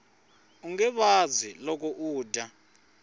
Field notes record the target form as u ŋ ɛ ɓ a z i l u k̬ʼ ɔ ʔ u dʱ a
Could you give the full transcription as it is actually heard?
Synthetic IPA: u ŋ ɛ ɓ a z i l ɔ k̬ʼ ɔ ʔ uː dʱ a